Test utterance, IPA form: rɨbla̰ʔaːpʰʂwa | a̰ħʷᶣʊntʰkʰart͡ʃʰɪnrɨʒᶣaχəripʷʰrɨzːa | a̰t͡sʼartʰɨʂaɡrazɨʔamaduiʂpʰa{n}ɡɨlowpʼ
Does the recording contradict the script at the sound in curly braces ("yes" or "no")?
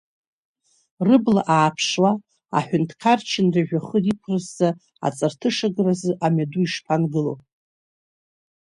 no